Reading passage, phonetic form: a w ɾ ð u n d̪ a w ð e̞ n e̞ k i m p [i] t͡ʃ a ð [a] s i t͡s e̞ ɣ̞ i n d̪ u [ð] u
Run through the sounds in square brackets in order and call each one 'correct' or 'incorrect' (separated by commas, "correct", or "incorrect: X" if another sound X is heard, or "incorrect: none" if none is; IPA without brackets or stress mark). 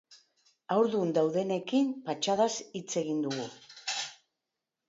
incorrect: a, correct, incorrect: ɣ